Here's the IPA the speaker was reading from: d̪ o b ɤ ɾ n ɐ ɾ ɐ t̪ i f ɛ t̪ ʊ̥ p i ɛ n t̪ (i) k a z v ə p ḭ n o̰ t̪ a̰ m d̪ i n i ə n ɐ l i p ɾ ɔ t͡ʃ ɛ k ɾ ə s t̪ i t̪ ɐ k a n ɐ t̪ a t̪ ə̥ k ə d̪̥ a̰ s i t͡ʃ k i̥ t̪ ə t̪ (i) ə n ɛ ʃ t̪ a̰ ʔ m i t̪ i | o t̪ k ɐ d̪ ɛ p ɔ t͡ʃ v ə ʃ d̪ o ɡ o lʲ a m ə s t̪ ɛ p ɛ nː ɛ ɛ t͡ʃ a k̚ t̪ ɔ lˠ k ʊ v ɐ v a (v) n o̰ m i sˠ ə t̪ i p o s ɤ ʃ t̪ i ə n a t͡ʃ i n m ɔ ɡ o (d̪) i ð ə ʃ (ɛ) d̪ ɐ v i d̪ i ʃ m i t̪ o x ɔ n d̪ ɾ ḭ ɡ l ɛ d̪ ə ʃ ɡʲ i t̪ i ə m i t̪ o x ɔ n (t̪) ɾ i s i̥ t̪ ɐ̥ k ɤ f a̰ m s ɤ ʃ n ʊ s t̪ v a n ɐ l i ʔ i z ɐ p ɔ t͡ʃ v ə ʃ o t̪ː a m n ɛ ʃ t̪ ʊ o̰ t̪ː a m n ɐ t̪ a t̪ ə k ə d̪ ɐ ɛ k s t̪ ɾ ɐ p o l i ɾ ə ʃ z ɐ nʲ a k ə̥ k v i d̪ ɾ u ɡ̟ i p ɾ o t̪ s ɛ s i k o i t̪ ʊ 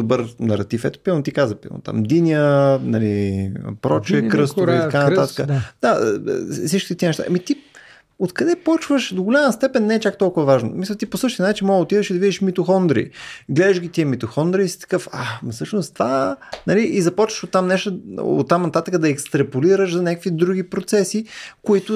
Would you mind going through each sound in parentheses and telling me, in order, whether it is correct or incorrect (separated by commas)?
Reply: correct, correct, incorrect, incorrect, incorrect, incorrect